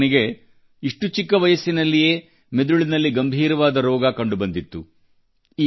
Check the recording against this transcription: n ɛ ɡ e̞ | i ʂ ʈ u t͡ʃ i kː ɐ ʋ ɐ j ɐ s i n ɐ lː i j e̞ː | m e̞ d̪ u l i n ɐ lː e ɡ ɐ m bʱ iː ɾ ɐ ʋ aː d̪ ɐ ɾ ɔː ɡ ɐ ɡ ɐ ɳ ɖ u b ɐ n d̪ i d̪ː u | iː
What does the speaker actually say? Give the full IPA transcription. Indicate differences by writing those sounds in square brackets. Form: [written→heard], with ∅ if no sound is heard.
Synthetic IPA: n [ɛ→i] ɡ e̞ | i ʂ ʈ u t͡ʃ i kː ɐ ʋ ɐ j ɐ s i n ɐ lː i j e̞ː | m e̞ d̪ u [l→ɭ] i n ɐ lː [e→i] ɡ ɐ m bʱ iː ɾ ɐ ʋ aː d̪ ɐ ɾ ɔː ɡ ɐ [ɡ→k] ɐ ɳ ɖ u b ɐ n d̪ i [d̪ː→t̪ː] u | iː

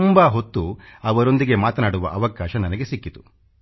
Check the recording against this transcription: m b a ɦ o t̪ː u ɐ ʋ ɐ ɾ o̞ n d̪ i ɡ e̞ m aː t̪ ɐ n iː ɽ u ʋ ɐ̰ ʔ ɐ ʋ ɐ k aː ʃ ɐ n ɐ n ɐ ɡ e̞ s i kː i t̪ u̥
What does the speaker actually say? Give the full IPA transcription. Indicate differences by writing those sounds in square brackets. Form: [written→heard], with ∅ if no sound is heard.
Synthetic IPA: m b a ɦ o t̪ː u ɐ ʋ ɐ ɾ o̞ n d̪ i ɡ e̞ m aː t̪ ɐ n [iː→aː] ɽ u ʋ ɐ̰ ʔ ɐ ʋ ɐ k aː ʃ ɐ n ɐ n ɐ ɡ e̞ s i kː i t̪ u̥

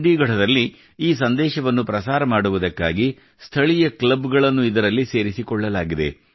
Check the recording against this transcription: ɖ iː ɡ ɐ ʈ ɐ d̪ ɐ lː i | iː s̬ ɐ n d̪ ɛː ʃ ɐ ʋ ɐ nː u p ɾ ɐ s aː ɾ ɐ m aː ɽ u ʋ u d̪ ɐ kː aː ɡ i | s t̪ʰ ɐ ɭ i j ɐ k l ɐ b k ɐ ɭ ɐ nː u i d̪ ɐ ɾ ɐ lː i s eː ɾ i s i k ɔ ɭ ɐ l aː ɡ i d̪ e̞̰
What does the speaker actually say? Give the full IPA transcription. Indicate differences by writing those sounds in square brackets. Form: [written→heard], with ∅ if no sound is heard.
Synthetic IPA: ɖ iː ɡ ɐ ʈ ɐ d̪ ɐ lː i | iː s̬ ɐ n d̪ ɛː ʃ ɐ ʋ ɐ nː u p ɾ ɐ s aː ɾ ɐ m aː ɽ u ʋ u d̪ ɐ kː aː ɡ i | s t̪ʰ ɐ ɭ i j ɐ k l ɐ b [k→ɡ] ɐ ɭ ɐ nː u i d̪ ɐ ɾ ɐ lː i s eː ɾ i s i k ɔ [ɭ→ɭː] ɐ l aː ɡ i d̪ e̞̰

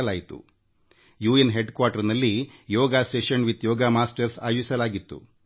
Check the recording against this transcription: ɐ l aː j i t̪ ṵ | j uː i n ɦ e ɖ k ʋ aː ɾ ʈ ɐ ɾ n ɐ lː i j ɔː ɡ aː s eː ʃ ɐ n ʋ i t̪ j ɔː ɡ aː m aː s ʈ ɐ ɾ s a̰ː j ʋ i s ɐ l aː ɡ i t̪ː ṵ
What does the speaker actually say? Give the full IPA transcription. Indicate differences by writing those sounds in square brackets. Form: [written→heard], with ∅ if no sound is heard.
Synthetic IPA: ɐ l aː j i t̪ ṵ | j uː [i→e] n ɦ e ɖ k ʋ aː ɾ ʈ ɐ ɾ n ɐ lː i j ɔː ɡ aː s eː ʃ ɐ n ʋ i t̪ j ɔː ɡ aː m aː s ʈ ɐ ɾ s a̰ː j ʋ i s ɐ l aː ɡ i t̪ː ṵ

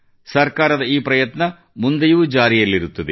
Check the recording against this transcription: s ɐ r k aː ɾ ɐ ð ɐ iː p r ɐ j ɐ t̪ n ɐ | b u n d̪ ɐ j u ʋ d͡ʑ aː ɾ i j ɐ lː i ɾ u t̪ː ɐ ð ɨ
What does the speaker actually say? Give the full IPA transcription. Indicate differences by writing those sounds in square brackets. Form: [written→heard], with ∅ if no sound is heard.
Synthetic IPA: s ɐ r k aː ɾ ɐ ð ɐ iː p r ɐ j ɐ t̪ n ɐ | [b→m] u n d̪ ɐ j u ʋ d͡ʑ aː ɾ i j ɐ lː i ɾ u t̪ː ɐ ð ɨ

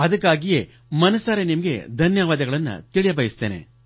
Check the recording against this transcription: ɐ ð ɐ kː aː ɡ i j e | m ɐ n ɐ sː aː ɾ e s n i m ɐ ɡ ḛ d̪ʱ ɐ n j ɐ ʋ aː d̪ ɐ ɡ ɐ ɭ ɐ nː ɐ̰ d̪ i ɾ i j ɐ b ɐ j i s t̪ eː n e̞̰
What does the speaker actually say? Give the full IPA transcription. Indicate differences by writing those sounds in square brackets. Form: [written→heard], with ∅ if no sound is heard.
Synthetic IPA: ɐ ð ɐ kː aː ɡ i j e | m ɐ n ɐ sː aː ɾ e [s→∅] n i m ɐ ɡ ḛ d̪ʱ ɐ n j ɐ ʋ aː d̪ ɐ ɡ ɐ ɭ ɐ nː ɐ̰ [d̪→t̪] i [ɾ→ɭ] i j ɐ b ɐ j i s t̪ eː n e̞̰

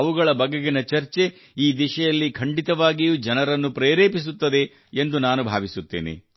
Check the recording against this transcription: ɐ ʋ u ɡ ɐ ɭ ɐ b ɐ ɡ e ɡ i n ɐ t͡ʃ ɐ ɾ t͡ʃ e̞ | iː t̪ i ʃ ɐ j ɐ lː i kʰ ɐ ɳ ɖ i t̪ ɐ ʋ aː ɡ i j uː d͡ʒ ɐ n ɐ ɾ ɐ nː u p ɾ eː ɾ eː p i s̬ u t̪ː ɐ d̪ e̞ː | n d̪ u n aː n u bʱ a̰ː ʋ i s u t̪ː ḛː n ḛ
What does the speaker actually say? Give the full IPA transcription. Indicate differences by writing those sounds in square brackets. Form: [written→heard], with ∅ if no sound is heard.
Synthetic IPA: ɐ ʋ u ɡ ɐ ɭ ɐ b ɐ ɡ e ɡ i n ɐ t͡ʃ ɐ ɾ t͡ʃ e̞ | iː [t̪→d̪] i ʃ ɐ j ɐ lː i kʰ ɐ ɳ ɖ i t̪ ɐ ʋ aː ɡ i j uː d͡ʒ ɐ n ɐ ɾ ɐ nː u p ɾ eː ɾ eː p i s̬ u t̪ː ɐ d̪ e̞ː | n d̪ u n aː n u bʱ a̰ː ʋ i s u t̪ː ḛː n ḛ

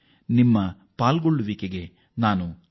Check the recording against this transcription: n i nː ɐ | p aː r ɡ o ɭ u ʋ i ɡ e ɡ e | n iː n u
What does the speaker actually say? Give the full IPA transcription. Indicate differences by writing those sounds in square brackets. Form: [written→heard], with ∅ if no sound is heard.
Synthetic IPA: n i [nː→mː] ɐ | p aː [r→l] ɡ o [ɭ→ɭː] u ʋ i [ɡ→k] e ɡ e | n [iː→aː] n u

